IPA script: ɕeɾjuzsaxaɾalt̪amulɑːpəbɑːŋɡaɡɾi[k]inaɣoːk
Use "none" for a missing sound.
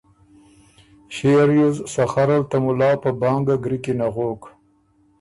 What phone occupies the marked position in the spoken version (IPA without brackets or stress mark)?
k